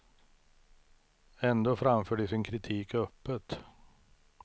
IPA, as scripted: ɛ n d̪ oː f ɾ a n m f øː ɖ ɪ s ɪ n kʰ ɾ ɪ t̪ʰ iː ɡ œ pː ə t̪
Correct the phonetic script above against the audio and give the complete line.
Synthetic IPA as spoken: ɛ n d̪ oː f ɾ a m f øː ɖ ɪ s ɪ n kʰ ɾ ɪ t̪ʰ iː k œ pː ə t̪